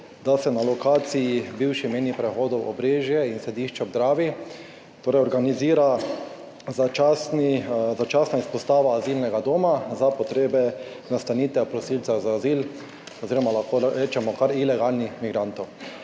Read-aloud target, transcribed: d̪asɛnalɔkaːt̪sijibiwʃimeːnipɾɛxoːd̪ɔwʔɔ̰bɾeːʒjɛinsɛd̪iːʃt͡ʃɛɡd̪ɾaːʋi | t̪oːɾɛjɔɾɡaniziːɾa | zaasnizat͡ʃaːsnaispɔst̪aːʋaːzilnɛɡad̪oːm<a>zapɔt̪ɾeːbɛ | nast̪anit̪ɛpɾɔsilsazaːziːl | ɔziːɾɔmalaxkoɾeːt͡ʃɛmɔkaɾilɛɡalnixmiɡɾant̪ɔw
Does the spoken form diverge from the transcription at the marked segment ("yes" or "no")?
no